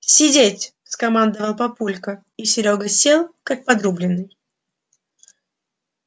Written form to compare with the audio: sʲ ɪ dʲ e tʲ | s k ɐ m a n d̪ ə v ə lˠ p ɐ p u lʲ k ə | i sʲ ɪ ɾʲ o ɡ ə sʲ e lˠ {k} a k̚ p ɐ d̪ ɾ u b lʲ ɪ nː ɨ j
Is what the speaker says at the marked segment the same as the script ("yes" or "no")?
yes